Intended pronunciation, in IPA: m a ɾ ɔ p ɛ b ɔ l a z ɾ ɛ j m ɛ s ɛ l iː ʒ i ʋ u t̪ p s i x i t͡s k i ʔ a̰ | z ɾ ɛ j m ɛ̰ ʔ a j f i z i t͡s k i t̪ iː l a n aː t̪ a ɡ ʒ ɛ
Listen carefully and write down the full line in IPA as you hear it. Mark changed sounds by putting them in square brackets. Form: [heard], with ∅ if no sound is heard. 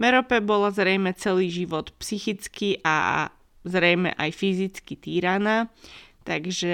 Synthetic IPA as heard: m [ɛ] ɾ ɔ p ɛ b ɔ l a z ɾ ɛ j m ɛ [t͡s] ɛ l iː ʒ i ʋ [ɔ] t̪ p s i x i t͡s k i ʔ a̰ | z ɾ ɛ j m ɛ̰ ʔ a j f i z i t͡s k i t̪ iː [ɾ] a n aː t̪ a ɡ ʒ ɛ